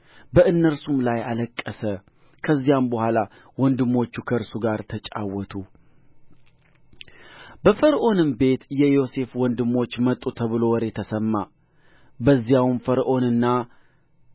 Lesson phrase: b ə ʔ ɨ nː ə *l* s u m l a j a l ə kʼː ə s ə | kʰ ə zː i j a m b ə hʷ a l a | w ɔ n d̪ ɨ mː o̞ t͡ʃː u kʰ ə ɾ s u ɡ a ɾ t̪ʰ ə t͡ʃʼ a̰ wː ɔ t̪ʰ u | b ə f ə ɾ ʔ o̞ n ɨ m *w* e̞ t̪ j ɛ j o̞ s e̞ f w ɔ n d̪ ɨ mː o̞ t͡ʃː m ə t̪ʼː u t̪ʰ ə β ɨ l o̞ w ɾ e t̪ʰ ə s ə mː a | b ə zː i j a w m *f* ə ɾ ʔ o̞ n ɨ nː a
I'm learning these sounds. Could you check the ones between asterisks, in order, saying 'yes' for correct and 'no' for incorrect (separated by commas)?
no, no, yes